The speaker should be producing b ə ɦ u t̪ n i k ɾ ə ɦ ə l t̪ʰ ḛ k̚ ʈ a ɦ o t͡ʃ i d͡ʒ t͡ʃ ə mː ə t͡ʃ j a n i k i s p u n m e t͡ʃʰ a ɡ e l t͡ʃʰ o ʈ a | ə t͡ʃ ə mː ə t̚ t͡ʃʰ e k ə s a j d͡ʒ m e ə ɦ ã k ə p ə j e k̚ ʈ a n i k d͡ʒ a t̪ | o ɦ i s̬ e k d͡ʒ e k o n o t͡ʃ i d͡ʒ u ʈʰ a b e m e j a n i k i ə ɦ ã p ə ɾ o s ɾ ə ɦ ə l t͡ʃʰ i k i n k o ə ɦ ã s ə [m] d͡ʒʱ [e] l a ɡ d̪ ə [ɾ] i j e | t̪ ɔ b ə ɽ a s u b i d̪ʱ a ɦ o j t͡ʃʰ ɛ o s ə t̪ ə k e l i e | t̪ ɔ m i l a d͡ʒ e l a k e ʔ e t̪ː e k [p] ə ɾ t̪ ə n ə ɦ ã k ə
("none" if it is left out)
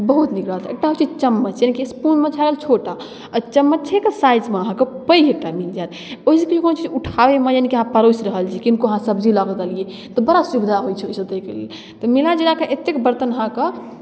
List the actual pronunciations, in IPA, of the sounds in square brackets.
b, i, l, b

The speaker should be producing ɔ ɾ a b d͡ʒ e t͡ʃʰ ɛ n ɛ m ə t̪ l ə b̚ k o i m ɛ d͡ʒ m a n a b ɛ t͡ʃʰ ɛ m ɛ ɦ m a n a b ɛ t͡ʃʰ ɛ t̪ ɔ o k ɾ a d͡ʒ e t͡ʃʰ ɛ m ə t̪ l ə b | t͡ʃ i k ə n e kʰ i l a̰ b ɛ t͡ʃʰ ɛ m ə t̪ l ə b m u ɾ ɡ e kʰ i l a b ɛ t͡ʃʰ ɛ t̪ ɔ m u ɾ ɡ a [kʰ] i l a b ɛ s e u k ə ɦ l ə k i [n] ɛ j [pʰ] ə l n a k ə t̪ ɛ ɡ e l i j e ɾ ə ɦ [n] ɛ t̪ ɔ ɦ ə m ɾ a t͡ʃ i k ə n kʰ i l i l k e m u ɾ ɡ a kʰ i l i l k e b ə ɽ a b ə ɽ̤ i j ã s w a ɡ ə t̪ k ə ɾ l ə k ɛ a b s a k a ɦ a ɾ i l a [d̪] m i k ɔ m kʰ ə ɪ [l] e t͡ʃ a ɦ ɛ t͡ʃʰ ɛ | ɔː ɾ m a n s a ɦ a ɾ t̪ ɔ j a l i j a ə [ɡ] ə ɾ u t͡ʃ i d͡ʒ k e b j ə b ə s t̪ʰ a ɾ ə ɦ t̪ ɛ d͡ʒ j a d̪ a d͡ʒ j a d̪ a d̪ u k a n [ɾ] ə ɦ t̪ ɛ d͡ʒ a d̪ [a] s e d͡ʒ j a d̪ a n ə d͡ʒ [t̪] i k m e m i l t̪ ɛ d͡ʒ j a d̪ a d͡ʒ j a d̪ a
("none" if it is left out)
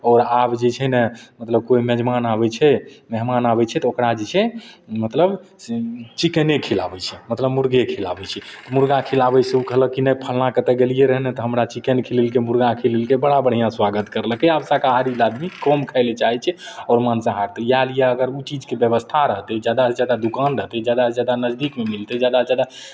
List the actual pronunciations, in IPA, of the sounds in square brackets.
kʰ, n, pʰ, n, d̪, l, ɡ, ɾ, a, d̪

